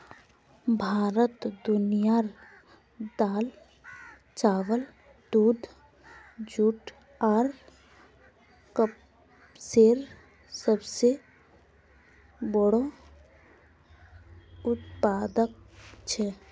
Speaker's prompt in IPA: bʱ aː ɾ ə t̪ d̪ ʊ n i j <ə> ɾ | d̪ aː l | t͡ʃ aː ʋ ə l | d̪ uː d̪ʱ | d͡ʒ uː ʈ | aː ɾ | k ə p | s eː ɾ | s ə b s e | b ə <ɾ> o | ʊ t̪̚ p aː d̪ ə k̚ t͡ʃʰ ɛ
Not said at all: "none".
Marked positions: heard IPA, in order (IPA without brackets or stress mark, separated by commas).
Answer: a, ɽ